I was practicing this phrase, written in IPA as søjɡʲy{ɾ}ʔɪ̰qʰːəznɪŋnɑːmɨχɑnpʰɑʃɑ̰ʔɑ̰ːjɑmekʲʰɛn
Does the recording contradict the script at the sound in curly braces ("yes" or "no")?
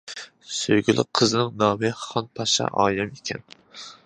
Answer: yes